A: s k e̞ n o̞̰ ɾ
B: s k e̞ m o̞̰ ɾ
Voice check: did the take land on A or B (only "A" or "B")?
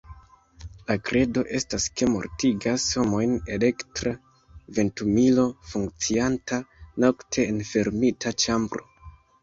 B